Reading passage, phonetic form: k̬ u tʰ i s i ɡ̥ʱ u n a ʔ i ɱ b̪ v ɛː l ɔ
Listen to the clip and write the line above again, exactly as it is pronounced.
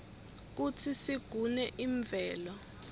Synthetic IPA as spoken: k̬ u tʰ i s i ɡ̥ʱ u n ɛ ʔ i ɱ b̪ v ɛː l ɔ